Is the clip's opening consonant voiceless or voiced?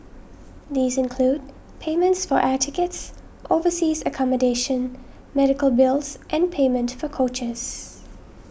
voiced